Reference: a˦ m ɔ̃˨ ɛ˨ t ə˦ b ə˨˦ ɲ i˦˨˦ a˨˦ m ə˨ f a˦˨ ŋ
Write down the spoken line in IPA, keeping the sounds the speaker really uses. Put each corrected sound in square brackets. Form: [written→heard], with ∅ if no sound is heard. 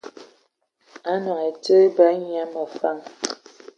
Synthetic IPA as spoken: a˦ [m→n] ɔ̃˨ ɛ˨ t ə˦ b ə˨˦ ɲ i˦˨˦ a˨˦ m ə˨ f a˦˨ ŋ